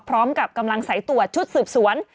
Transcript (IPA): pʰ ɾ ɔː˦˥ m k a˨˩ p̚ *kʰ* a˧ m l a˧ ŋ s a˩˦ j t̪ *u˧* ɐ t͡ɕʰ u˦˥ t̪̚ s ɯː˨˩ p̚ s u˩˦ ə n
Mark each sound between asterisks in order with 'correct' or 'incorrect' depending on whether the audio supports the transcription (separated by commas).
incorrect, incorrect